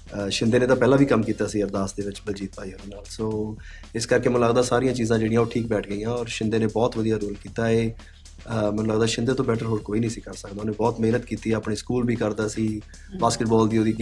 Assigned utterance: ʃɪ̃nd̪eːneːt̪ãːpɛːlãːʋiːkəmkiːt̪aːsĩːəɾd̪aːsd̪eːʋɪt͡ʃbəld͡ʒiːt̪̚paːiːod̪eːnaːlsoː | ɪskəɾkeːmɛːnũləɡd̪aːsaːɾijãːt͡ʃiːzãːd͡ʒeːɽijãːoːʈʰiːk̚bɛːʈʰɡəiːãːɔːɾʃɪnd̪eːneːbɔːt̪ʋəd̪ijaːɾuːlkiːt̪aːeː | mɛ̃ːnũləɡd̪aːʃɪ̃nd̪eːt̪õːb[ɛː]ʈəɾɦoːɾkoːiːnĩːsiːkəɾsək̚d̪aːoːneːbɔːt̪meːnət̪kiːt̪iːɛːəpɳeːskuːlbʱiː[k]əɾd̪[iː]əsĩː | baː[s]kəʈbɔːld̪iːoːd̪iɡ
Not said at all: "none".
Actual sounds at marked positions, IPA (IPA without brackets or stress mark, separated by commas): ɛː, k, aː, s